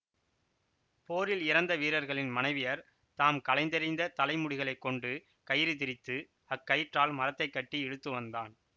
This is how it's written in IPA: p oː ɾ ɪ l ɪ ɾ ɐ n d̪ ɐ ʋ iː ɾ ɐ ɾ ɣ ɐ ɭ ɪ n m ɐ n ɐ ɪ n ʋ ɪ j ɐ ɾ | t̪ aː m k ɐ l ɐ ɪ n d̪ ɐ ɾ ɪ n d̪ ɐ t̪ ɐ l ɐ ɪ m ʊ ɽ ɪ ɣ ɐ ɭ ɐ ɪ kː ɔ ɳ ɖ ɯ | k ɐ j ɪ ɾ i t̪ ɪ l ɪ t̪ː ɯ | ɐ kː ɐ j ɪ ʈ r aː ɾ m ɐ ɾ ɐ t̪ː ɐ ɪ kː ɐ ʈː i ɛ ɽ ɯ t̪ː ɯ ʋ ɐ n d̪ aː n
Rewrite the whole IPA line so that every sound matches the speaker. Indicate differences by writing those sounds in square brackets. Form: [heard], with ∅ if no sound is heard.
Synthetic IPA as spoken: p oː ɾ ɪ l ɪ ɾ ɐ n d̪ ɐ ʋ iː ɾ ɐ ɾ ɣ ɐ ɭ ɪ n m ɐ n ɐ ɪ [∅] ʋ ɪ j ɐ ɾ | t̪ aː m k ɐ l ɐ ɪ n d̪ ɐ ɾ ɪ n d̪ ɐ t̪ ɐ l ɐ ɪ m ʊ ɽ ɪ ɣ ɐ ɭ ɐ ɪ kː ɔ ɳ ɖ ɯ | k ɐ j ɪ ɾ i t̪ ɪ [ɾ] ɪ t̪ː ɯ | ɐ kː ɐ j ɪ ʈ r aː [l] m ɐ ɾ ɐ t̪ː ɐ ɪ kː ɐ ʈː i ɛ ɽ ɯ t̪ː ɯ ʋ ɐ n d̪ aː n

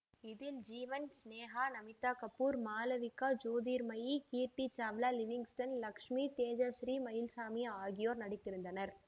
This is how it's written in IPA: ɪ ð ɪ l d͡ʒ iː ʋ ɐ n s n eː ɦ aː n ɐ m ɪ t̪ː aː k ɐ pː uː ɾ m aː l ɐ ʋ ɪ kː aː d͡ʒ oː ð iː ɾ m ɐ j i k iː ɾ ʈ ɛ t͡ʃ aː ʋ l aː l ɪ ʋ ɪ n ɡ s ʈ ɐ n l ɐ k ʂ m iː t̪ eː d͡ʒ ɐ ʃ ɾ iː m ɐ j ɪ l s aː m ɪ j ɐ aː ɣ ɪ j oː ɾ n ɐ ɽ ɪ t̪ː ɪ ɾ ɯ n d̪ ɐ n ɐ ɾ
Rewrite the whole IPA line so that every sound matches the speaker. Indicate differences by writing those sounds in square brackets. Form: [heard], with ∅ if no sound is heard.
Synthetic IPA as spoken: ɪ ð ɪ l d͡ʒ iː ʋ ɐ n s n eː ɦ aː n ɐ m ɪ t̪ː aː k ɐ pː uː ɾ m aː l ɐ ʋ ɪ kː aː d͡ʒ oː ð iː ɾ m ɐ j i k iː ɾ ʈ [i] t͡ʃ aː ʋ l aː l ɪ ʋ ɪ [ŋ] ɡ s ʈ ɐ n l ɐ k ʂ m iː t̪ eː d͡ʒ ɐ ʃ ɾ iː m ɐ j ɪ l s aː m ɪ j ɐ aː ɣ ɪ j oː ɾ n ɐ ɽ ɪ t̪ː ɪ ɾ ɯ n d̪ ɐ n ɐ ɾ

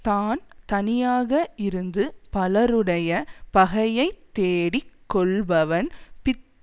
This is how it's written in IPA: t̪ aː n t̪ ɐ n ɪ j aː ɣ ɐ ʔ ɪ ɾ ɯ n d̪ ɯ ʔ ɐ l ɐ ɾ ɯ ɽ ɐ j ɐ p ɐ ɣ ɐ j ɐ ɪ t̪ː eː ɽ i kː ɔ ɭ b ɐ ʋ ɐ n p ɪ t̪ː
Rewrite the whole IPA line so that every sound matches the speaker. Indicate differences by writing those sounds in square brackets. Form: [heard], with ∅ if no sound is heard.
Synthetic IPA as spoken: t̪ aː n t̪ ɐ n ɪ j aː ɣ ɐ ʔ ɪ ɾ ɯ n d̪ ɯ [p] ɐ l ɐ ɾ ɯ ɽ ɐ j ɐ p ɐ ɣ ɐ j ɐ ɪ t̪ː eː ɽ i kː ɔ ɭ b ɐ ʋ ɐ n p ɪ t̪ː

